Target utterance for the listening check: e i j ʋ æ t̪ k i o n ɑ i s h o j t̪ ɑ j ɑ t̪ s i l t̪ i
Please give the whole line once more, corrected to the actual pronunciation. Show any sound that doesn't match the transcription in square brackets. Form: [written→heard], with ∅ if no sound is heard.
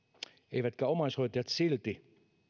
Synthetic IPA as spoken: e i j ʋ æ t̪ k [i→æ] o [n→m] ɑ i s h o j t̪ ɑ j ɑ t̪ s i l t̪ i